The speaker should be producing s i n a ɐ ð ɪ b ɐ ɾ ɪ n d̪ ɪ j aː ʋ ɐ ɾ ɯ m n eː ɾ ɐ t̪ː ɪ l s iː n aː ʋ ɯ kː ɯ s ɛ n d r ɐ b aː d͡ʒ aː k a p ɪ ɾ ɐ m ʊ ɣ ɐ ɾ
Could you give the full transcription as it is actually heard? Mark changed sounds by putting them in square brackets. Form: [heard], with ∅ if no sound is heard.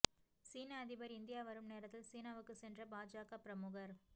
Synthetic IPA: s [iː] n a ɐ ð ɪ b ɐ ɾ ɪ n d̪ ɪ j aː ʋ ɐ ɾ ɯ m n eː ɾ ɐ t̪ː ɪ l s iː n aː ʋ ɯ kː ɯ s ɛ n d r ɐ b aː d͡ʒ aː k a p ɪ ɾ ɐ m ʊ ɣ ɐ ɾ